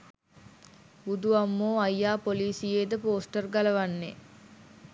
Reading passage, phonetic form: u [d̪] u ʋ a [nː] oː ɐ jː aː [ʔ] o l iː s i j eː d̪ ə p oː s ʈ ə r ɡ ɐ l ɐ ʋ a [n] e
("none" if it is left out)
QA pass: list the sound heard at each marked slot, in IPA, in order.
d̪, mː, p, nː

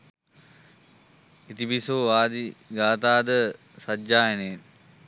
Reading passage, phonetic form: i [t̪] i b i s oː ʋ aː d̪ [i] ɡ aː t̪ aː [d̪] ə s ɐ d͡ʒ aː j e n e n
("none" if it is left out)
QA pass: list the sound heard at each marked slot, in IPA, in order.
t̪, i, d̪

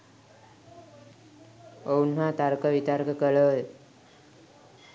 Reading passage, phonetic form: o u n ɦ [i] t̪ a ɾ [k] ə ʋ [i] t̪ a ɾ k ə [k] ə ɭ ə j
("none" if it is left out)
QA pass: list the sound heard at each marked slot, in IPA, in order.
a, k, i, k

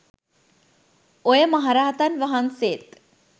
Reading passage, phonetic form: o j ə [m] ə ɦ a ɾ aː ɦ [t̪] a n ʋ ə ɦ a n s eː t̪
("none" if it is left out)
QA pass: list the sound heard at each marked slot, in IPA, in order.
m, t̪

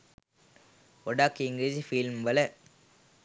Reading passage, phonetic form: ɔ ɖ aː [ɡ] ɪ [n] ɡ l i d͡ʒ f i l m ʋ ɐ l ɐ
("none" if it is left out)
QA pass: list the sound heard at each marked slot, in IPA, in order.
k, ŋ

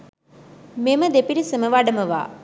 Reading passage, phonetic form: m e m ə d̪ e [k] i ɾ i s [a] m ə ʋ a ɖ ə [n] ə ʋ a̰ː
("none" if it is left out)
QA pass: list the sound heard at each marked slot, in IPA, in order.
p, ə, m

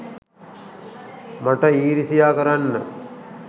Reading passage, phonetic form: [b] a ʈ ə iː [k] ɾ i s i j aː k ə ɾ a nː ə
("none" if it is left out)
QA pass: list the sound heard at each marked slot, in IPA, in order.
m, none

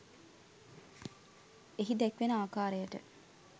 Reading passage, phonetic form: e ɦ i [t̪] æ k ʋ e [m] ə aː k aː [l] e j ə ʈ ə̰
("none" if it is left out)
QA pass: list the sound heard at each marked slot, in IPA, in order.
d̪, n, ɾ

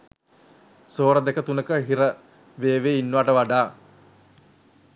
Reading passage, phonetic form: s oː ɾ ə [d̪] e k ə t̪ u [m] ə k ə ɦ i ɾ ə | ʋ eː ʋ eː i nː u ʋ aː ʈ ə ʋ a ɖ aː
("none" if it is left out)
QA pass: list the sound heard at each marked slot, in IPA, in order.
d̪, n

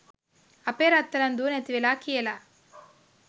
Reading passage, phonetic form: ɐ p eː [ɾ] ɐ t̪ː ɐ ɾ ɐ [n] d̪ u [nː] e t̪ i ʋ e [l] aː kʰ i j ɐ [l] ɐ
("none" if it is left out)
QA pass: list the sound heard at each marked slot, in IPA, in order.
ɾ, n, n, l, l

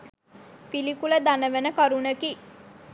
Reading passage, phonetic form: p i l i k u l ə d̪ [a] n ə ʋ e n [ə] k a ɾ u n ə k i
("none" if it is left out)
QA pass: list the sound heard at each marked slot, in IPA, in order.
a, ə

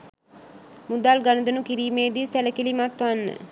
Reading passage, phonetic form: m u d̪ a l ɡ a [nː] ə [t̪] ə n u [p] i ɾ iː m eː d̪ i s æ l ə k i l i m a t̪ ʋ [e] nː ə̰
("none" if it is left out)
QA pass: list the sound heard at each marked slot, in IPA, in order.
n, d̪, k, a

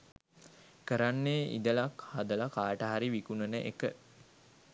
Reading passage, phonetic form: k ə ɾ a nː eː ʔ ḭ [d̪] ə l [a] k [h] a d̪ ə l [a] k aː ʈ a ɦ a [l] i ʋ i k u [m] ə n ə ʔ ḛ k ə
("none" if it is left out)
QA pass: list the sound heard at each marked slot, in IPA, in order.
d̪, a, h, a, ɾ, n

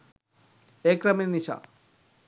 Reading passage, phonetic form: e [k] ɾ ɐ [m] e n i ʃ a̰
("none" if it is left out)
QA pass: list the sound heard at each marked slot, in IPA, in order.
k, m

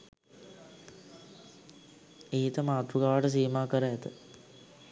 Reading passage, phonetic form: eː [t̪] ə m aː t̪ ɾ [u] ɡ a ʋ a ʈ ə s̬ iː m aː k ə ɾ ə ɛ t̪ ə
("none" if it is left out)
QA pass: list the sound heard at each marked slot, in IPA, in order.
t̪, u

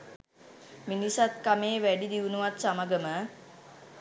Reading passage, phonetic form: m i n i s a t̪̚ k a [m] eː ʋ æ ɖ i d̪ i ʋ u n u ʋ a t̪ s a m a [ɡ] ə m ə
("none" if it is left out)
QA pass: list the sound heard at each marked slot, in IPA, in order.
m, ɡ

